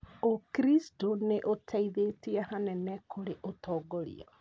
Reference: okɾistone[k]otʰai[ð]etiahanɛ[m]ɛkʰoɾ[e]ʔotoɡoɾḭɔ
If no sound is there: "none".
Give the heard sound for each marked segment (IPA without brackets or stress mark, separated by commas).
ʔ, ð, n, e